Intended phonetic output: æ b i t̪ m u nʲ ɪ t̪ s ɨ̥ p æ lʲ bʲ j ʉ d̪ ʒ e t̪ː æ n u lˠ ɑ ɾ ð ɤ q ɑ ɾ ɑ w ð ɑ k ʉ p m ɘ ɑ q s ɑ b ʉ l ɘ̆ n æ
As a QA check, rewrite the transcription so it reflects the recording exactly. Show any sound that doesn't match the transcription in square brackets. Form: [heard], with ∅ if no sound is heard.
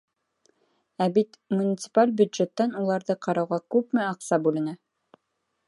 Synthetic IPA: æ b i t̪ m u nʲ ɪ t̪ s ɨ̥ p [a] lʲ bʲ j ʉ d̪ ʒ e t̪ː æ n u lˠ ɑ ɾ ð ɤ q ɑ ɾ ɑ w [ʁ] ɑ k ʉ p m ɘ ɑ q s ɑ b ʉ l ɘ̆ n æ